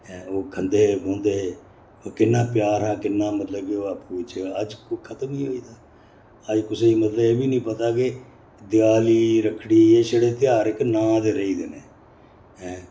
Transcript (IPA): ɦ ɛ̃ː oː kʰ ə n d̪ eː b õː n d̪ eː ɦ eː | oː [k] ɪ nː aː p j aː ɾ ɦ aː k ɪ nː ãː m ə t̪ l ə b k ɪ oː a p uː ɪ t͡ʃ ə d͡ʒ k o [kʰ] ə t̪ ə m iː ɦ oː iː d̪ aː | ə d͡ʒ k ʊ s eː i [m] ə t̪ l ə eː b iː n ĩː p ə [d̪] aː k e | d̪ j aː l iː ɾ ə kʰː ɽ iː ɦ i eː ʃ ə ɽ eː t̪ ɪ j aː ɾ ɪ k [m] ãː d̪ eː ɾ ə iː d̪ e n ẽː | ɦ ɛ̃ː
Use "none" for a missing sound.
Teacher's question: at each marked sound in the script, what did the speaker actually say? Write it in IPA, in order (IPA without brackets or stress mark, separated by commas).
k, kʰ, m, t̪, n